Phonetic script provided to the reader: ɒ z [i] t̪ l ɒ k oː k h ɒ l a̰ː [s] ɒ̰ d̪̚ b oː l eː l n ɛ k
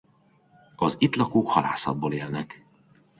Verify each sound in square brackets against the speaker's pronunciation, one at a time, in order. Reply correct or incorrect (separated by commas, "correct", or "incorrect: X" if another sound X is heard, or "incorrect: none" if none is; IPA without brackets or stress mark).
correct, correct